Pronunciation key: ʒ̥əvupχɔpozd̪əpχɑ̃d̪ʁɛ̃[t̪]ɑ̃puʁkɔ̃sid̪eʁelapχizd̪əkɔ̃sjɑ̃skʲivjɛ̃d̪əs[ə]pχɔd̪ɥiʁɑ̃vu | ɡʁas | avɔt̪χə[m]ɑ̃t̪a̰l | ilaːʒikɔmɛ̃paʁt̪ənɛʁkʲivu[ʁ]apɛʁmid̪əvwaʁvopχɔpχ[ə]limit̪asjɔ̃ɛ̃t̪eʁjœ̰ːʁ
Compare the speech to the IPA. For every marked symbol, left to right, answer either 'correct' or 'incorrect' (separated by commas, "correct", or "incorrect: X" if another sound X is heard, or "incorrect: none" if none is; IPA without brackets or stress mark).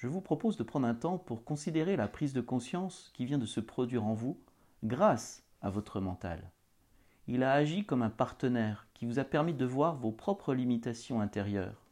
correct, correct, correct, incorrect: z, correct